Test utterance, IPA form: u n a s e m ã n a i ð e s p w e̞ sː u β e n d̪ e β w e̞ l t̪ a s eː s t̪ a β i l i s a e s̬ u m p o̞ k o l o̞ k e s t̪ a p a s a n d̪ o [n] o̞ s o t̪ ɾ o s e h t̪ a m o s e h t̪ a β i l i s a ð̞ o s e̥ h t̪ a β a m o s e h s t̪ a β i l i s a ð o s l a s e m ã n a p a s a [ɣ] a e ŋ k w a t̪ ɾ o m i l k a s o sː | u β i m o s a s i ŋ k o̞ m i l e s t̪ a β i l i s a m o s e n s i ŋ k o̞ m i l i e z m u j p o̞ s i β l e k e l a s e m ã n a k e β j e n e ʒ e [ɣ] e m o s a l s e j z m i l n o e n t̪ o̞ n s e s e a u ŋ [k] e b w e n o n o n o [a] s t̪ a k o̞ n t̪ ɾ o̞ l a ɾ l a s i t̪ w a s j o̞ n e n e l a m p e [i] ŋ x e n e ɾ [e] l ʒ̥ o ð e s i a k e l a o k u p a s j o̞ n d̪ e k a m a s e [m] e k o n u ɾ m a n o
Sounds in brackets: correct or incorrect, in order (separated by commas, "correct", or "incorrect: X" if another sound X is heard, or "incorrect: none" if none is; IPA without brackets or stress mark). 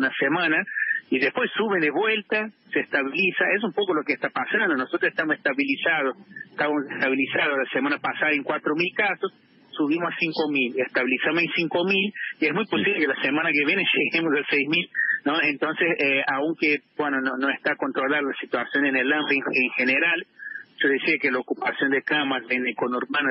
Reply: correct, incorrect: ð, correct, correct, incorrect: e, incorrect: e, incorrect: a, incorrect: n